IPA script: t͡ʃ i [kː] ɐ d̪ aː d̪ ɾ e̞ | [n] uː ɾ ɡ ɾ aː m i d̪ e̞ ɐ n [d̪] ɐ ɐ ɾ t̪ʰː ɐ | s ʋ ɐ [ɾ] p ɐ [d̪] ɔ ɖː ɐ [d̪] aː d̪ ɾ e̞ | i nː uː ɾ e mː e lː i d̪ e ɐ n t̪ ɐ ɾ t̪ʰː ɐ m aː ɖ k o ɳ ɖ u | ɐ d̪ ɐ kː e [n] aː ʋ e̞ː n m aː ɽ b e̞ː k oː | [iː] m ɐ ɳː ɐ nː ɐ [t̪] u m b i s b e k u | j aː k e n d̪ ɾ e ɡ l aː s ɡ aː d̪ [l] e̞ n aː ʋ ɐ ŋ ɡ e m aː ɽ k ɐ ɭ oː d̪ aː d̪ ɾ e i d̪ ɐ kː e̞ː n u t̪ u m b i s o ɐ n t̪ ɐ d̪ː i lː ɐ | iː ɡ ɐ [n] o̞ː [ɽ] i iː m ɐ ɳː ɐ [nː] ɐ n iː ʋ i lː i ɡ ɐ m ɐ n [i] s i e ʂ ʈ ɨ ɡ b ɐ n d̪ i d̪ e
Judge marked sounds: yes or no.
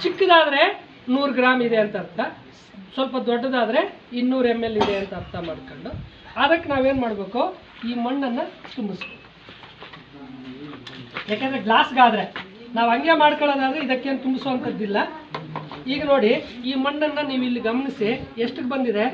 yes, yes, no, no, yes, yes, yes, yes, yes, no, yes, yes, yes, yes

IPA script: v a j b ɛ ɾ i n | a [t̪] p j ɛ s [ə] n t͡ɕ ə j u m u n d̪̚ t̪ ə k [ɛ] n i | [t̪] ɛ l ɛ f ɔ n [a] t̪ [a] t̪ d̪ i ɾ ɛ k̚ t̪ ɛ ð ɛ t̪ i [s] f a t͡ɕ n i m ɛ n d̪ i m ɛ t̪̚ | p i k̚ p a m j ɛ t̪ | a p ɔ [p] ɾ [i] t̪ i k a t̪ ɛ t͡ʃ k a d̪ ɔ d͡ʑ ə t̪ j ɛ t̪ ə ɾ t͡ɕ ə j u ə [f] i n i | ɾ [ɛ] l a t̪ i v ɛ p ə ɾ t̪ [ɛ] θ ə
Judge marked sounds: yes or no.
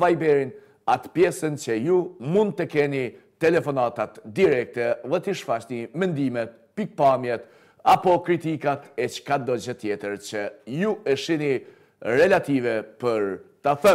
yes, yes, yes, yes, yes, yes, no, no, yes, no, yes, no

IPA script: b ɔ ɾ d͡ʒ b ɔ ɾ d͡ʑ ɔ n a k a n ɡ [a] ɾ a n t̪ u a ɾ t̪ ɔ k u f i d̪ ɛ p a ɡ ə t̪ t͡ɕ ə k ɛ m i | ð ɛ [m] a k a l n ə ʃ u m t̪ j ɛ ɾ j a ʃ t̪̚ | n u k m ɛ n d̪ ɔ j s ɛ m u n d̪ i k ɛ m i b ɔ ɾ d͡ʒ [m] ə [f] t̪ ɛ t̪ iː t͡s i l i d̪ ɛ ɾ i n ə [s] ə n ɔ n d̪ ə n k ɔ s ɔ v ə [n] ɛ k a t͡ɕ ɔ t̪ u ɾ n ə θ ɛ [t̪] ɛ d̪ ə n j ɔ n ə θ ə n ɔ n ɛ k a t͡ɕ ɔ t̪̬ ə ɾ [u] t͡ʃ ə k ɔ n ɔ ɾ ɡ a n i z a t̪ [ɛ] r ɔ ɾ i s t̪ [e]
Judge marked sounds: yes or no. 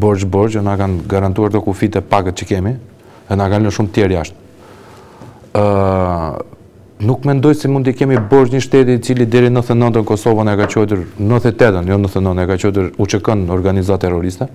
yes, no, no, no, no, yes, yes, yes, yes, no

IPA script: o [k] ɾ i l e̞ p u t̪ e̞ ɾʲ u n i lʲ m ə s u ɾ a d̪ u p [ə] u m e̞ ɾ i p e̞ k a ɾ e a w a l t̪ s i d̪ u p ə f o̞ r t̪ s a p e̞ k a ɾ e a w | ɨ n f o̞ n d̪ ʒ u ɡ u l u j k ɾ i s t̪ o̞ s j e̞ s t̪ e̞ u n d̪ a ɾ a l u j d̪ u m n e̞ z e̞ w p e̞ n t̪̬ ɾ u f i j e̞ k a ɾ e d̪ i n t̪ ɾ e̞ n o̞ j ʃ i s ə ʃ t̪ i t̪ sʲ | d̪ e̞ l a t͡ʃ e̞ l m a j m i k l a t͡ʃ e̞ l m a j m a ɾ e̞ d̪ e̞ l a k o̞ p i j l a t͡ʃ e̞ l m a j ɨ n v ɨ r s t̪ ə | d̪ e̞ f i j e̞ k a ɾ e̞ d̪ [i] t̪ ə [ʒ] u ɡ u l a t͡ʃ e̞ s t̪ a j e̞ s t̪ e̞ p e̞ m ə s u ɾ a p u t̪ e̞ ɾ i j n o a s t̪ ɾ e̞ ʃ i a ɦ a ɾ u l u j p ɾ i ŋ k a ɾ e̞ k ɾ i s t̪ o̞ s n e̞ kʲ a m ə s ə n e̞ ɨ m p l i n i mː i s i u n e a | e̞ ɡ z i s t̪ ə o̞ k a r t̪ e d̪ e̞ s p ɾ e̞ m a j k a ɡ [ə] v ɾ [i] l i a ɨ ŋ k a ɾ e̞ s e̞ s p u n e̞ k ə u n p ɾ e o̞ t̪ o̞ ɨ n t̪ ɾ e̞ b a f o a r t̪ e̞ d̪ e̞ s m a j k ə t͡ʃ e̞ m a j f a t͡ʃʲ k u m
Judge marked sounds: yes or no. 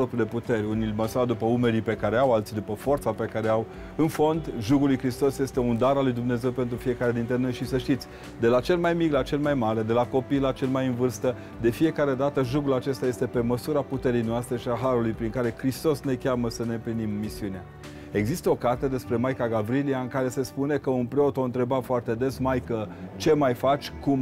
no, yes, no, yes, no, yes

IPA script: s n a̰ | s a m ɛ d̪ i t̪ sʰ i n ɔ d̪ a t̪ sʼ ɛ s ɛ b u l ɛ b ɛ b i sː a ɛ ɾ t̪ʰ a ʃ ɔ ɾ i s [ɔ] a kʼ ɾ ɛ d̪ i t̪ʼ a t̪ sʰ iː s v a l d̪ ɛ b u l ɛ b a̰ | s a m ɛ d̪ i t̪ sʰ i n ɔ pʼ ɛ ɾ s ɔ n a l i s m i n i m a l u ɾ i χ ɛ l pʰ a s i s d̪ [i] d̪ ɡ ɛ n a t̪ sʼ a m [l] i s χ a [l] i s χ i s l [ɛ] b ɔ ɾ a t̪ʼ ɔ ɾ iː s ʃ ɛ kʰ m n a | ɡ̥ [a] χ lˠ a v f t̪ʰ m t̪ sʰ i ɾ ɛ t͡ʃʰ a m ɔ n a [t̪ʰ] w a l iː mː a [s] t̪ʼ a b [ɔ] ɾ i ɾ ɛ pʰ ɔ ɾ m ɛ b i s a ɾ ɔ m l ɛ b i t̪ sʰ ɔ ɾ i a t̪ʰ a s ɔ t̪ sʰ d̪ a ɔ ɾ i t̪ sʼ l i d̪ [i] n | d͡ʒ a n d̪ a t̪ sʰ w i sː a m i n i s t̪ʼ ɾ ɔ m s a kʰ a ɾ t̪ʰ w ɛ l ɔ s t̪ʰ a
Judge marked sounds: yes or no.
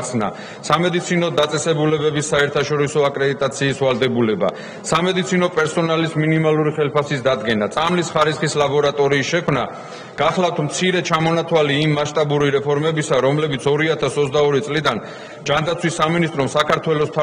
yes, no, yes, no, no, yes, yes, no, no, no

